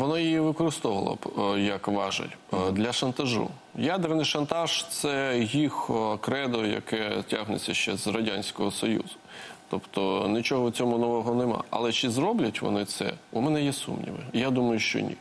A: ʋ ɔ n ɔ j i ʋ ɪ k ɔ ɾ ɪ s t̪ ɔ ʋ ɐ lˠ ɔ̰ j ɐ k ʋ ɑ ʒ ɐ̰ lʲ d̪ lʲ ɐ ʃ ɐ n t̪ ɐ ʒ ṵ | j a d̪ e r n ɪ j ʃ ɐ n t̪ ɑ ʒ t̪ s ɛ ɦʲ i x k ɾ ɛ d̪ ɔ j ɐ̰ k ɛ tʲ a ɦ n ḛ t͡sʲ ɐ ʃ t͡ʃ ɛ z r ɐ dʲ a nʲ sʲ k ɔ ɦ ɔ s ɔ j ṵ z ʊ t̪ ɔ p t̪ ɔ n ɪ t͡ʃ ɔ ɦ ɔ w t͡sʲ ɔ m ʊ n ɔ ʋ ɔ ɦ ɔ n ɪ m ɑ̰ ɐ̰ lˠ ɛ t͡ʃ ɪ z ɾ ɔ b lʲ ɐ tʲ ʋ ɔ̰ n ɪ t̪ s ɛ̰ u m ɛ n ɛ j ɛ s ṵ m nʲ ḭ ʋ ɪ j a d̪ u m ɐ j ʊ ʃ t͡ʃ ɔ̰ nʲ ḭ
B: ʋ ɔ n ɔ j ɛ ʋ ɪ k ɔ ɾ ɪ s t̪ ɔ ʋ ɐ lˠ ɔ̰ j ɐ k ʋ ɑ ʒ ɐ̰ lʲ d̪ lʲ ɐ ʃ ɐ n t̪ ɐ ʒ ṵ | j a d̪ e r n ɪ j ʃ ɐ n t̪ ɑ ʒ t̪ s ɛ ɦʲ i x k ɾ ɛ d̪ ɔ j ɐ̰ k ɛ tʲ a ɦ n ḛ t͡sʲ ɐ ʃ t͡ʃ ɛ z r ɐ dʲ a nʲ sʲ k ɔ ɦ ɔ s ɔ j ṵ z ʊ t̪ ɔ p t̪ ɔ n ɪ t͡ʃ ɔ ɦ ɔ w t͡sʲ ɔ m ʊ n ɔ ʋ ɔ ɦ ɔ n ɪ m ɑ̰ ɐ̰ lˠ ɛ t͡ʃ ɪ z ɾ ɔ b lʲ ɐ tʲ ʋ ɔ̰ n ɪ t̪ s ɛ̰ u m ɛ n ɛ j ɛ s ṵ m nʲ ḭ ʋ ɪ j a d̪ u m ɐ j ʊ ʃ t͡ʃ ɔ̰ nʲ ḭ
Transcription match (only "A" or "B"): A